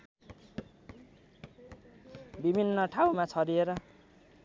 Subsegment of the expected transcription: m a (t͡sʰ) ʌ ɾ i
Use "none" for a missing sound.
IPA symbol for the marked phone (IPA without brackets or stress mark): t͡sʰ